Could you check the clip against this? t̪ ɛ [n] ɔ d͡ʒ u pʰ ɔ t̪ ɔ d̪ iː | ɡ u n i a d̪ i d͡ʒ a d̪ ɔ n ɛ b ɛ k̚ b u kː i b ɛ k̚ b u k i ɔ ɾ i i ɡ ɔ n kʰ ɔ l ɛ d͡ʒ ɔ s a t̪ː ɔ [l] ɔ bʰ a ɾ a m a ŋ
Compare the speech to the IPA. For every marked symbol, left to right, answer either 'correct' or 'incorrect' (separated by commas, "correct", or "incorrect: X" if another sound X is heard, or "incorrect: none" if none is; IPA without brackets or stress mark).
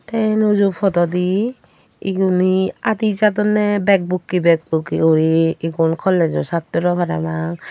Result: correct, incorrect: ɾ